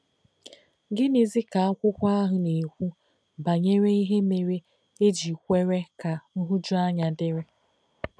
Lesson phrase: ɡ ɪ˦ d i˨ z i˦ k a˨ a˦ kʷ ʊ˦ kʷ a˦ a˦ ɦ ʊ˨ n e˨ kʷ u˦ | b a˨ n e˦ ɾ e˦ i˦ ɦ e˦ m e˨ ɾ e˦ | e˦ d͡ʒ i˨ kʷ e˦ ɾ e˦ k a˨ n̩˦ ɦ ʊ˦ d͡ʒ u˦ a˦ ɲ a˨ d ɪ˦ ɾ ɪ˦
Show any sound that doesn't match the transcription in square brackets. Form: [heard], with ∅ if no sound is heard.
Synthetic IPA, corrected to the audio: ɡ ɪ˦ [n] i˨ z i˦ k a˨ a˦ kʷ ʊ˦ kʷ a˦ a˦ ɦ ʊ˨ n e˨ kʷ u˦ | b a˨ [ɲ] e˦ ɾ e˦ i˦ ɦ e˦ m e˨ ɾ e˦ | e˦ d͡ʒ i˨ kʷ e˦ ɾ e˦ k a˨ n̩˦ ɦ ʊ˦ d͡ʒ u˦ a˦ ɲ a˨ d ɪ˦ ɾ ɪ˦